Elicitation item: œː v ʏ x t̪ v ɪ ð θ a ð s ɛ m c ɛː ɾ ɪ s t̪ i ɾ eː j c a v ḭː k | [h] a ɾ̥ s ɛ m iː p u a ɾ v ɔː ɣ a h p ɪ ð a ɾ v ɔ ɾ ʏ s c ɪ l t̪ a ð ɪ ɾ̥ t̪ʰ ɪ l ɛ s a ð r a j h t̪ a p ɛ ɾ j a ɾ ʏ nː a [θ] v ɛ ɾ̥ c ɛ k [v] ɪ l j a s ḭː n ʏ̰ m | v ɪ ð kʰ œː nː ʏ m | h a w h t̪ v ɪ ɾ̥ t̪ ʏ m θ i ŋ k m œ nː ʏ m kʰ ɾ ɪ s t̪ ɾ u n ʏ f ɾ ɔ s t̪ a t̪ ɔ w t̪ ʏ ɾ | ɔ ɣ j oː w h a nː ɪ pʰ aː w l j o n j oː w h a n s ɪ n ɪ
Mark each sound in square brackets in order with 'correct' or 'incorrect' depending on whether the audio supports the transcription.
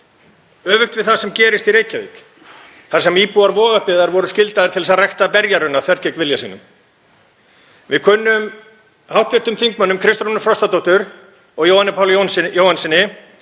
incorrect: θ, correct, correct

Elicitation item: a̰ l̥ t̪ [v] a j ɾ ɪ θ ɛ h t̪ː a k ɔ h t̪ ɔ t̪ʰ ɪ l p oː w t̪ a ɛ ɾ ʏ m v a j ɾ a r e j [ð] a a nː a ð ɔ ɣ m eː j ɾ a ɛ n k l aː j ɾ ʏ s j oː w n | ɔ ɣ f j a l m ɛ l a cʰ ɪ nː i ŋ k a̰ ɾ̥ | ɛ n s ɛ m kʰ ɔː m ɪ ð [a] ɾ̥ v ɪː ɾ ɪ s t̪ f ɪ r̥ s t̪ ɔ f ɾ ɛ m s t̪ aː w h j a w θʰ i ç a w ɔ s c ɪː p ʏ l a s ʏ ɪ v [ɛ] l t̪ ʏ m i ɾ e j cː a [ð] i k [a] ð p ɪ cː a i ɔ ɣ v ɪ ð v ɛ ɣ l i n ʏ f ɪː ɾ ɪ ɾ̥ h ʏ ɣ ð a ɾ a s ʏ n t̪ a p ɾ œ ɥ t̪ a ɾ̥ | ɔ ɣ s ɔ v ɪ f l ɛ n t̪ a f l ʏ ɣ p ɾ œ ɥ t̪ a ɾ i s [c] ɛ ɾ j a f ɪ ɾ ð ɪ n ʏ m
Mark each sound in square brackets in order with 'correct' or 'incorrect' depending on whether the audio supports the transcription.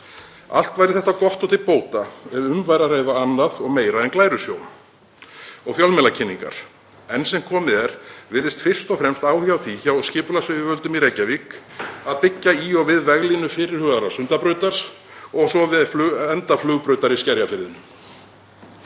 correct, correct, incorrect: ɛ, incorrect: œ, incorrect: v, correct, correct

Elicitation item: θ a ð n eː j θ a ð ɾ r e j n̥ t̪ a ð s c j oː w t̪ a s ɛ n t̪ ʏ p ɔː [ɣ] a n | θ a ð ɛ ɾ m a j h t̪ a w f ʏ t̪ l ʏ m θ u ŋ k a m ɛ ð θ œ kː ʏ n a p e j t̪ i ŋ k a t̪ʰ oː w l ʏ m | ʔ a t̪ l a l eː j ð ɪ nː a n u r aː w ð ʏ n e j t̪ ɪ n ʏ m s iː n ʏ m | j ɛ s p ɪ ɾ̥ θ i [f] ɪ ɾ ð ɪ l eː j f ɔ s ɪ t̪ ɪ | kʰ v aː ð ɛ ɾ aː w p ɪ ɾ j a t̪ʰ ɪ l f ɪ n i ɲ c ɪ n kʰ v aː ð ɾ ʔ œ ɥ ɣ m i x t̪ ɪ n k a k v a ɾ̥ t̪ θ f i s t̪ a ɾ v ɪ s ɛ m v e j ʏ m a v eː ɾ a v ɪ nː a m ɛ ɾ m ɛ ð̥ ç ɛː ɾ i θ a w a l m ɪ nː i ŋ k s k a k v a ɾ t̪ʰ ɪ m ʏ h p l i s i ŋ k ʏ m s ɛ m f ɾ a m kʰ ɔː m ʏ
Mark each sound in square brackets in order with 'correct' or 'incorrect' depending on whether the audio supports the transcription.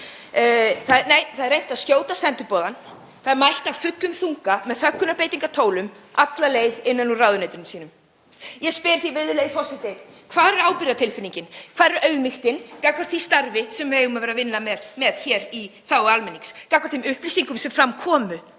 incorrect: ð, incorrect: v

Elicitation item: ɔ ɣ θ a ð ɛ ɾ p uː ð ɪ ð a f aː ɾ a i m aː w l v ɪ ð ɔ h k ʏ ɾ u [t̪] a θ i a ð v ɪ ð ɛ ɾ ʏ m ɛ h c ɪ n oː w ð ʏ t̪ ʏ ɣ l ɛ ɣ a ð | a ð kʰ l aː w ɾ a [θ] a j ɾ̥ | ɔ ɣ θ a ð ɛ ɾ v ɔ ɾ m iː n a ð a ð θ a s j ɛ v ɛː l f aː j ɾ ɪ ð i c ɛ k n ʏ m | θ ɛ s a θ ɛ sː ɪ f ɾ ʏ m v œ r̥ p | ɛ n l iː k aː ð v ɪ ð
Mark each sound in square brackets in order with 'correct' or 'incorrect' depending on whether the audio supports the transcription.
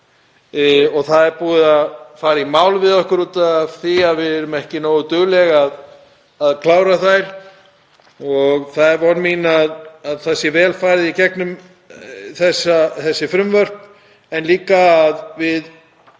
correct, correct

